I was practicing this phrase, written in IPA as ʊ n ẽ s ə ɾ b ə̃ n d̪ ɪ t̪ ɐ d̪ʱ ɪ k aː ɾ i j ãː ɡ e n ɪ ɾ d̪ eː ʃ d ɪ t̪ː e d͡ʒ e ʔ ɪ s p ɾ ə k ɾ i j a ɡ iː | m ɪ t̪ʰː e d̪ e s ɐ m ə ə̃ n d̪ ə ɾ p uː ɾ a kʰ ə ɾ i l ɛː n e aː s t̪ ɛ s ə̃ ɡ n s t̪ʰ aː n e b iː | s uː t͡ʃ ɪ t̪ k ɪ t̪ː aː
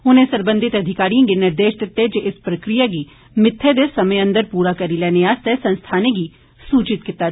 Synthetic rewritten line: ʊ n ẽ s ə ɾ b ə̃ n d̪ ɪ t̪ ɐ d̪ʱ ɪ k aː ɾ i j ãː ɡ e n ɪ ɾ d̪ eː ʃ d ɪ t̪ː e d͡ʒ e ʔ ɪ s p ɾ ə k ɾ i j a ɡ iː | m ɪ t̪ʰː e d̪ e s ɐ m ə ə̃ n d̪ ə ɾ p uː ɾ a k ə ɾ i l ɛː n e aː s t̪ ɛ s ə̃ n s t̪ʰ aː n e ɡ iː | s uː t͡ʃ ɪ t̪ k ɪ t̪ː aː